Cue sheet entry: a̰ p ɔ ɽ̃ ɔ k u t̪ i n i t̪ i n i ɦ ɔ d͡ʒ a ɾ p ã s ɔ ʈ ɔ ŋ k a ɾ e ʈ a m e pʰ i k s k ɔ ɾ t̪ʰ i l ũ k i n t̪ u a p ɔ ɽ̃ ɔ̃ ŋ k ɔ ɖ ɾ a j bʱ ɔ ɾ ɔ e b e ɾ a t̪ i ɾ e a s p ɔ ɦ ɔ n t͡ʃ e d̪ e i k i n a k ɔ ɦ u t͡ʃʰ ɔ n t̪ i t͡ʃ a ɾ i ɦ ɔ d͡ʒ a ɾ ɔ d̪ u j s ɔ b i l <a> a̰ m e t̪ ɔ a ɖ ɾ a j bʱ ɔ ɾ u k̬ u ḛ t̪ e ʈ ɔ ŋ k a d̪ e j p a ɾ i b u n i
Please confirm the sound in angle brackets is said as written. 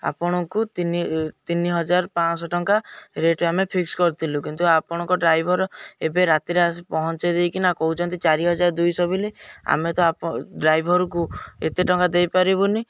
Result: no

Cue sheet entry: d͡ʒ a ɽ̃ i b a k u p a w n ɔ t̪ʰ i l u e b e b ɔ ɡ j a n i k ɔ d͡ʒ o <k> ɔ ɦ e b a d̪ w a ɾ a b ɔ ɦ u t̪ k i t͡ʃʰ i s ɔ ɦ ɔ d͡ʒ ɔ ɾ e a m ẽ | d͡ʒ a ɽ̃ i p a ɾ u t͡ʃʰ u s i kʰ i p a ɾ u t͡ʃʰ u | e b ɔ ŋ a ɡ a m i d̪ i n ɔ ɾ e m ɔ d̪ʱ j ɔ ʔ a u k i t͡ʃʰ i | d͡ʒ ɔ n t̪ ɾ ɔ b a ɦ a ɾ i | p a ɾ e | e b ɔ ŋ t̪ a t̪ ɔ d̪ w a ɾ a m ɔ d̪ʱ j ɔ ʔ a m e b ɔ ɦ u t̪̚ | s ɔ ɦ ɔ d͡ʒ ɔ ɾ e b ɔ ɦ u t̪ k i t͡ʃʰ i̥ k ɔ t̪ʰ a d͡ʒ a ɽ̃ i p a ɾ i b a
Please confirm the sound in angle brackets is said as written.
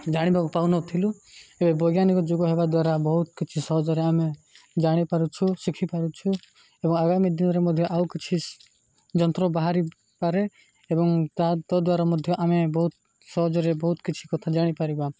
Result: no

